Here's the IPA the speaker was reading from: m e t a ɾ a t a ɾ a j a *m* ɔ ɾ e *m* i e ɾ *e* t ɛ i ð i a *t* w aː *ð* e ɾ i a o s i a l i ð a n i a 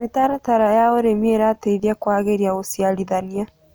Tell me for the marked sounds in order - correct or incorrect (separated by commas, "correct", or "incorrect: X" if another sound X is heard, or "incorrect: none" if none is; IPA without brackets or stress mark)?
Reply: incorrect: none, correct, incorrect: a, incorrect: k, incorrect: ɣ